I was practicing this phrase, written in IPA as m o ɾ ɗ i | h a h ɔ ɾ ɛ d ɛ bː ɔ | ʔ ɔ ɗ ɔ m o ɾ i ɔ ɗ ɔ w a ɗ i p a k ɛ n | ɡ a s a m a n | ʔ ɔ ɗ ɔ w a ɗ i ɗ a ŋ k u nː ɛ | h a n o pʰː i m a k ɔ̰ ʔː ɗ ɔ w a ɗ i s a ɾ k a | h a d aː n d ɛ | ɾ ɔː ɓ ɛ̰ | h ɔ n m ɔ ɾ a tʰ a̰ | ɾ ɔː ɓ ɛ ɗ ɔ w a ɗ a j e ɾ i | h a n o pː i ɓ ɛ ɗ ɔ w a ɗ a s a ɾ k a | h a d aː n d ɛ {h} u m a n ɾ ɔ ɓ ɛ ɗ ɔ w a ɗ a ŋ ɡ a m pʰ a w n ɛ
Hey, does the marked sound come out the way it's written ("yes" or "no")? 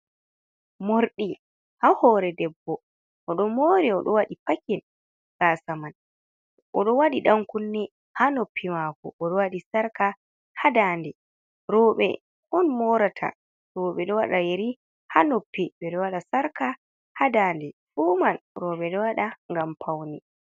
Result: no